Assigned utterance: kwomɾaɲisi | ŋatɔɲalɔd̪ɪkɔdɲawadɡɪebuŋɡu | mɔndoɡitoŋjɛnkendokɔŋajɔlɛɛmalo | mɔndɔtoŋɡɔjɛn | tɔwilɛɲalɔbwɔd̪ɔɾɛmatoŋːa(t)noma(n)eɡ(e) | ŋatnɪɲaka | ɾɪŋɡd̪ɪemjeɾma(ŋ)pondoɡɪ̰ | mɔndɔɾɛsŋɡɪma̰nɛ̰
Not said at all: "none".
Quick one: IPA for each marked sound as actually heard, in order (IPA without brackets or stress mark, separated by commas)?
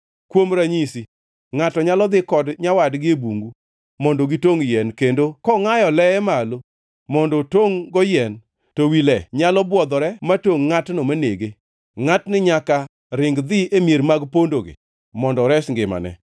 t, n, e, ɡ